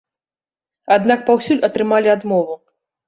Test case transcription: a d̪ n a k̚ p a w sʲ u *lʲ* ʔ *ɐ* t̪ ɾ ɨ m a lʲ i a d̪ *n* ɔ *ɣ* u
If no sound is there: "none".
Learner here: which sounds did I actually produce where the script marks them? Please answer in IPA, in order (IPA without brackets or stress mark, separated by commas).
lʲ, ɐ, m, v